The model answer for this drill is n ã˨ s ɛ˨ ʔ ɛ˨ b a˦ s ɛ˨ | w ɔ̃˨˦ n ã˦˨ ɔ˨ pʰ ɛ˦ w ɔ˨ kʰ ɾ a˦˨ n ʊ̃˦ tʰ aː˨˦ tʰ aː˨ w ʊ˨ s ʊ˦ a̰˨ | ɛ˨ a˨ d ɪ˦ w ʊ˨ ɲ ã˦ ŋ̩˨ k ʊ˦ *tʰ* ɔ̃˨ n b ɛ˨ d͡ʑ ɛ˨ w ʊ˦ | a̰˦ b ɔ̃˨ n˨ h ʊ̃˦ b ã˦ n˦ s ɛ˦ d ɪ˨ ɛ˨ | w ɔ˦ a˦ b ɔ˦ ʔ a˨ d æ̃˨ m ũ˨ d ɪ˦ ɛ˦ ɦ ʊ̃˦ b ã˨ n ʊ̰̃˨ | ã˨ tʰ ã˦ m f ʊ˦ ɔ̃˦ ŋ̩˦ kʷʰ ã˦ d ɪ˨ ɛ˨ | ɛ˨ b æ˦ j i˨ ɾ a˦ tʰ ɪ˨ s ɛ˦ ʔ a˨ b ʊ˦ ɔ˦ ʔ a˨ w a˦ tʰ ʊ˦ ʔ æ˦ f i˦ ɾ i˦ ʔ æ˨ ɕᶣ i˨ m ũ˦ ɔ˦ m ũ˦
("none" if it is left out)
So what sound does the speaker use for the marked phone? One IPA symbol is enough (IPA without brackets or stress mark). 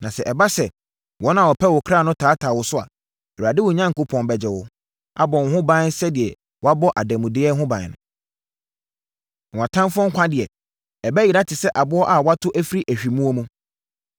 pʰ